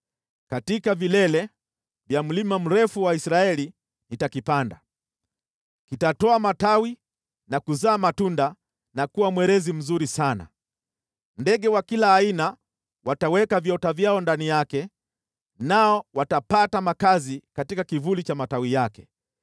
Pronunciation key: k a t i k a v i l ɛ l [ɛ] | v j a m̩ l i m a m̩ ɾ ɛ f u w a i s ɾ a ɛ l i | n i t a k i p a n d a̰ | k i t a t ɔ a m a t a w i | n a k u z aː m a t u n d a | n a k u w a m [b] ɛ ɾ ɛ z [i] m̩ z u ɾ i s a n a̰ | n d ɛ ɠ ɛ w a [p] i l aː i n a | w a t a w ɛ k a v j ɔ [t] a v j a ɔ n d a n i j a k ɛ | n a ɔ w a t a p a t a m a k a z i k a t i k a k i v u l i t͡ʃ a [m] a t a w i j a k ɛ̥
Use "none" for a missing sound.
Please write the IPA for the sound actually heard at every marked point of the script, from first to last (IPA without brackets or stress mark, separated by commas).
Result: ɛ, w, i, k, t, m